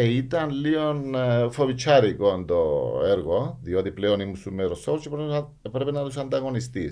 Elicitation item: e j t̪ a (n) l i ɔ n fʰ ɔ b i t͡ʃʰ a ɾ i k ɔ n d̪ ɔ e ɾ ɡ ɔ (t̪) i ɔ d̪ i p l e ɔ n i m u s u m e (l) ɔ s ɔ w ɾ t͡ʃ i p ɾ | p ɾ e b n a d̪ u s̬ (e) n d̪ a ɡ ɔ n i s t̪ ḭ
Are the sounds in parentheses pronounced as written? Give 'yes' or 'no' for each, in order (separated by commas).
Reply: yes, no, no, no